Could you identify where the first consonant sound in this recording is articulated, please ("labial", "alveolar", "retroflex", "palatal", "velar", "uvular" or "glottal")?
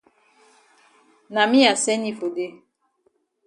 alveolar